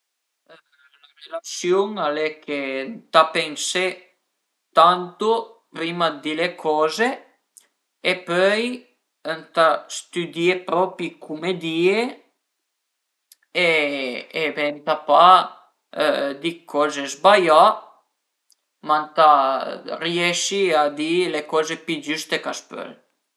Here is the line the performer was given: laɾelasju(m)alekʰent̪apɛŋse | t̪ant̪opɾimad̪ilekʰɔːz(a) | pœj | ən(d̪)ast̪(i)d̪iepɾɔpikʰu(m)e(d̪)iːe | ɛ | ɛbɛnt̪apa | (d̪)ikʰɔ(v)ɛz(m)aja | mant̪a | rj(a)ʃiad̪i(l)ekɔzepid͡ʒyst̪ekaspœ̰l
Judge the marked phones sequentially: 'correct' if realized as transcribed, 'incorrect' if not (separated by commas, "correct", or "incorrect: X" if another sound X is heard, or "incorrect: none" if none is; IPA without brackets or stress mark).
incorrect: ŋ, incorrect: e, incorrect: t̪, incorrect: y, correct, correct, correct, incorrect: z, incorrect: b, incorrect: ɛ, correct